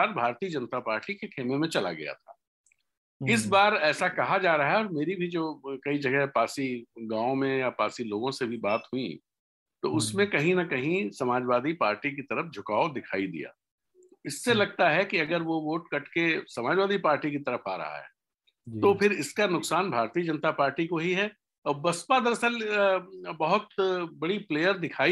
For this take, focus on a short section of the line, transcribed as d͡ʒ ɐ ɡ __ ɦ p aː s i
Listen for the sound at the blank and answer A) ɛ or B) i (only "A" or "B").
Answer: A